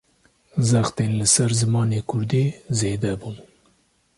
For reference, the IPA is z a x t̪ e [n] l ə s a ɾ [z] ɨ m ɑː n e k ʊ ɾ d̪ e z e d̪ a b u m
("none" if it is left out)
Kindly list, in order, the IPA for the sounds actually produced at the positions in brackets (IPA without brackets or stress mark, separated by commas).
n, z